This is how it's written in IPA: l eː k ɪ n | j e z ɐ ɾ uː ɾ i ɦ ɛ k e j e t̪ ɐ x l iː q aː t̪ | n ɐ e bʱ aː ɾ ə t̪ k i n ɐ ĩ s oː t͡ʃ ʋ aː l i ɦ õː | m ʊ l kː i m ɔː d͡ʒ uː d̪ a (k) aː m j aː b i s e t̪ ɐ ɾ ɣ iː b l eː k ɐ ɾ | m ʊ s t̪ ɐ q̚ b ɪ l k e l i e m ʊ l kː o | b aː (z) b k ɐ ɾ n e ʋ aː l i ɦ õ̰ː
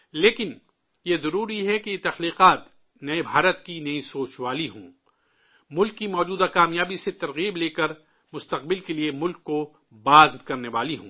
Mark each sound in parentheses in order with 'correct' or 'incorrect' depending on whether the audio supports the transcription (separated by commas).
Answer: correct, correct